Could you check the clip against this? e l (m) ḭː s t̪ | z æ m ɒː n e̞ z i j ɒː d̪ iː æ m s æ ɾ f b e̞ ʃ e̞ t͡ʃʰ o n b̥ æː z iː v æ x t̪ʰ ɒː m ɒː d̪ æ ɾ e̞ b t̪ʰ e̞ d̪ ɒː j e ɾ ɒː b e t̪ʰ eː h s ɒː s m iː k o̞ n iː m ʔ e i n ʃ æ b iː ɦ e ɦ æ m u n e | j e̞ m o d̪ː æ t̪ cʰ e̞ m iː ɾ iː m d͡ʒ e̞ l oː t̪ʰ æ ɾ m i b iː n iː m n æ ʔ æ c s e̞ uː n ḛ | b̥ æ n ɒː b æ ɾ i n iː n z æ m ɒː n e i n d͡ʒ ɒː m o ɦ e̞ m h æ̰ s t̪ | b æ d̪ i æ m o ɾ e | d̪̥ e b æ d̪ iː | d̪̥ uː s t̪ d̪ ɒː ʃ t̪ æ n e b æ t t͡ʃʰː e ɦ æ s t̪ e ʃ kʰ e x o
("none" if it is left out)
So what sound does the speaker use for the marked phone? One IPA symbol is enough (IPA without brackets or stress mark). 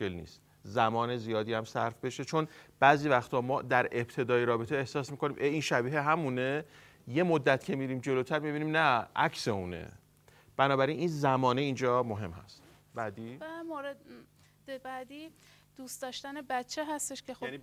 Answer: n